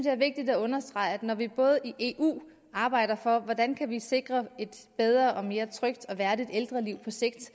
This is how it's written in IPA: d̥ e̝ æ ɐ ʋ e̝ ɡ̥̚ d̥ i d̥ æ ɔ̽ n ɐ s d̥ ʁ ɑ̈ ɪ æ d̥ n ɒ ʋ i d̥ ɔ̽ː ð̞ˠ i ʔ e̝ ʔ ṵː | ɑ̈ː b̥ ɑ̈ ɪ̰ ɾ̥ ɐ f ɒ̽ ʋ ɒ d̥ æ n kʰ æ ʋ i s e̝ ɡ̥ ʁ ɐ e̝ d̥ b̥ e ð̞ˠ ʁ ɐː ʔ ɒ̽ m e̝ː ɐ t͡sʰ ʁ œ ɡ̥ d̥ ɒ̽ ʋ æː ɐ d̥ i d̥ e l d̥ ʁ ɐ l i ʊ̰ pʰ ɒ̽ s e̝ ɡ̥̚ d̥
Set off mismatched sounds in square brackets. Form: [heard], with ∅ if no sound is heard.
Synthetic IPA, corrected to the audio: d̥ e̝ æ ɐ ʋ e̝ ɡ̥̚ d̥ i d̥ æ ɔ̽ n ɐ s d̥ ʁ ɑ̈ ɪ æ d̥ n ɒ ʋ i [b̥] ɔ̽ː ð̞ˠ i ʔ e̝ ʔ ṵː | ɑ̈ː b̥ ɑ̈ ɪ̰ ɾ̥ ɐ f ɒ̽ ʋ ɒ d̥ æ n kʰ æ ʋ i s e̝ ɡ̥ ʁ ɐ e̝ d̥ b̥ e ð̞ˠ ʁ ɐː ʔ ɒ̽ m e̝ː ɐ t͡sʰ ʁ œ ɡ̥ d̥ ɒ̽ ʋ [æ] ɐ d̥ i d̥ e l d̥ ʁ ɐ l i ʊ̰ pʰ ɒ̽ s e̝ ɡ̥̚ d̥